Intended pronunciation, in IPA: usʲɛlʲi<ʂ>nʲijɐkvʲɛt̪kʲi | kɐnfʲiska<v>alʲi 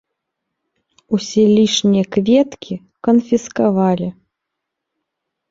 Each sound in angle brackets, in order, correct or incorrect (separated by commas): correct, correct